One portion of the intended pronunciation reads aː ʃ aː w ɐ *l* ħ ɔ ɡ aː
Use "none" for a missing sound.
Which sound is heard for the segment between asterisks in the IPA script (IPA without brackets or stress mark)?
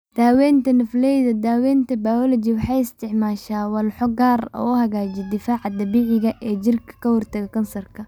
l